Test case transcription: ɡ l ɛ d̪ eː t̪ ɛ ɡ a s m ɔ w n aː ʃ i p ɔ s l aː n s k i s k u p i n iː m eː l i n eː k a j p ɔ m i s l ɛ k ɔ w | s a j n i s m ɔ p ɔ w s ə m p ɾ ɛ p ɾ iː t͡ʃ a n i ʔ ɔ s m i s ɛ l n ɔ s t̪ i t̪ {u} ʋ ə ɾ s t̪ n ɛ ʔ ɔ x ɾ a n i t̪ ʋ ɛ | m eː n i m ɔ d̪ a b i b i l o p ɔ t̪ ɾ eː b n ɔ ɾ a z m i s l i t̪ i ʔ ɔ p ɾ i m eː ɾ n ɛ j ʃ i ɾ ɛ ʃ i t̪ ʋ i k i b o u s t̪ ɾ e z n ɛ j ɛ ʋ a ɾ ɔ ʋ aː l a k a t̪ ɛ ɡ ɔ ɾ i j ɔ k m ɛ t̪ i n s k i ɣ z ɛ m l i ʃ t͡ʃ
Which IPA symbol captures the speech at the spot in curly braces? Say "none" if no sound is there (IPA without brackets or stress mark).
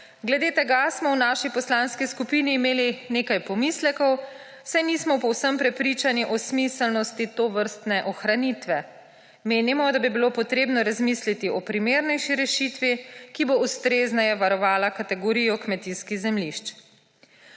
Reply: o